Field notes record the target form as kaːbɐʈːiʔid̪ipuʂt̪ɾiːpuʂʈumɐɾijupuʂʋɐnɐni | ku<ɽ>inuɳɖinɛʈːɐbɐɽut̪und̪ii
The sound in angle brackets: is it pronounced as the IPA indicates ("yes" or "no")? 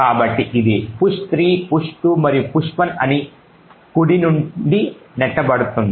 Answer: yes